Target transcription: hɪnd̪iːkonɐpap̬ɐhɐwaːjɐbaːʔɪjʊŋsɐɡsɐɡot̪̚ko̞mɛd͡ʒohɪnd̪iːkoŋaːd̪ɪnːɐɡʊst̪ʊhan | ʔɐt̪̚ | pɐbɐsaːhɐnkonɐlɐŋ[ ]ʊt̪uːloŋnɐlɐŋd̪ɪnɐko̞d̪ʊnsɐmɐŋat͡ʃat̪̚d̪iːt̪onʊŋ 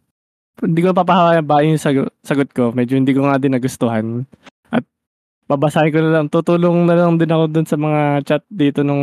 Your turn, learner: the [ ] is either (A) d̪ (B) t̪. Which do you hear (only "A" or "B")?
B